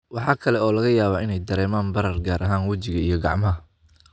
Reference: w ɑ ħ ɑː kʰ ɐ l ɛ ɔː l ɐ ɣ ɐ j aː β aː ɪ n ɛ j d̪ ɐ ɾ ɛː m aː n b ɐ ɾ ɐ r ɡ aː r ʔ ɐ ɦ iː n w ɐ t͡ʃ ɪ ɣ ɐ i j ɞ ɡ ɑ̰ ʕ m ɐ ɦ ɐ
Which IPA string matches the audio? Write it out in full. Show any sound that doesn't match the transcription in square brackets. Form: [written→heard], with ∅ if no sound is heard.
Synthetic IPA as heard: w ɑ ħ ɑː kʰ ɐ l ɛ ɔː l ɐ ɣ ɐ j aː β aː ɪ n ɛ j d̪ ɐ ɾ ɛː m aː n b ɐ ɾ ɐ r ɡ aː [r→ɾ] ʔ ɐ ɦ [iː→aː] n w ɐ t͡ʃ ɪ ɣ ɐ i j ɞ ɡ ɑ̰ ʕ m ɐ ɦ ɐ